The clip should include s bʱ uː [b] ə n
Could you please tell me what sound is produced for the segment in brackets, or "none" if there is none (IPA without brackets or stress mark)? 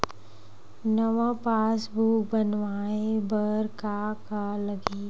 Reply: b